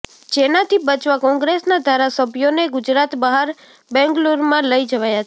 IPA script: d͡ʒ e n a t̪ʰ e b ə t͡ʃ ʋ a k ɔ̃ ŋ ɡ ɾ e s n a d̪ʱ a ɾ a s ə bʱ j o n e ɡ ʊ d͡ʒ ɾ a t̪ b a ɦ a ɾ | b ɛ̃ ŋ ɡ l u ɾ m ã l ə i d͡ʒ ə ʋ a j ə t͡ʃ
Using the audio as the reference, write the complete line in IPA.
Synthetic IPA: d͡ʒ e n a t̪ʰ i b ə t͡ʃ ʋ a k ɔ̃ ŋ ɡ ɾ e s n a d̪ʱ a ɾ a s ə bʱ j o n e ɡ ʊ d͡ʒ ɾ a t̪ b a ɦ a ɾ | b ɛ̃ ŋ ɡ l u ɾ m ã l ə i d͡ʒ ə ʋ a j a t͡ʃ